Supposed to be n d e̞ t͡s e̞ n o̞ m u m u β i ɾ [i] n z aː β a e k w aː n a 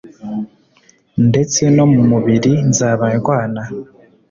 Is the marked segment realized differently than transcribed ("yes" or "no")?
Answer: no